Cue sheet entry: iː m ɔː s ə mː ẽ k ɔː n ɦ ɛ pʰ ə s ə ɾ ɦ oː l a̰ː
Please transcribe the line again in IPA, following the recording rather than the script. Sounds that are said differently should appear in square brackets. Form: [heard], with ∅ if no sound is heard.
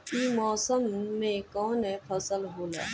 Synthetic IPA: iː m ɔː s ə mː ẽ k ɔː n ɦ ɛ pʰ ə s ə [l] ɦ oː l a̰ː

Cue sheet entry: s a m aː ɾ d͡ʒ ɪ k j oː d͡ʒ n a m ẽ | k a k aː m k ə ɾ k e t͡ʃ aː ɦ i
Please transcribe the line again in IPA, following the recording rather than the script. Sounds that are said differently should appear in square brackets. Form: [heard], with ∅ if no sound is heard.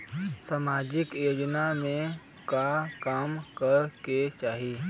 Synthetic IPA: s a m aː [∅] d͡ʒ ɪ k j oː d͡ʒ n a m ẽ | k a k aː m k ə ɾ k e t͡ʃ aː ɦ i

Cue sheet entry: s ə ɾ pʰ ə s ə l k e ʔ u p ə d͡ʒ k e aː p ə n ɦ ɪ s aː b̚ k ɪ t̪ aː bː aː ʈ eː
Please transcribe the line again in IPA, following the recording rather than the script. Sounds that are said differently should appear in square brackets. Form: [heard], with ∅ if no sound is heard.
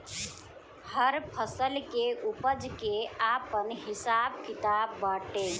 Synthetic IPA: [h] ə ɾ pʰ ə s ə l k e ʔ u p ə d͡ʒ k e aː p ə n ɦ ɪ s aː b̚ k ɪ t̪ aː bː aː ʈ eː

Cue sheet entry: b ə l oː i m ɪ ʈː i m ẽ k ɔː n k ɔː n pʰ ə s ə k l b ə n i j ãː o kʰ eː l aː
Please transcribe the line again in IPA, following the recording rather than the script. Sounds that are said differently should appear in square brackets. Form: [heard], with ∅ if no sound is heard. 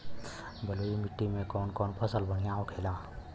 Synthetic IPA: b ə l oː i m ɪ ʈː i m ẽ k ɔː n k ɔː n pʰ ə s ə [∅] l b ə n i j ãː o kʰ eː l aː

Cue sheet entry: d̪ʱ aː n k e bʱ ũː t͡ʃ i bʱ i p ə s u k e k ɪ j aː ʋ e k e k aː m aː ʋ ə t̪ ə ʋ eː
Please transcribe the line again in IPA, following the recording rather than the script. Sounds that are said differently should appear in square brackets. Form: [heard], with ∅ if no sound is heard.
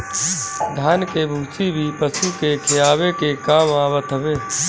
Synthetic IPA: d̪ʱ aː n k e bʱ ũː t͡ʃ i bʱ i p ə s u k e [kʰ] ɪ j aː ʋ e k e k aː m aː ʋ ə t̪ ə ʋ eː

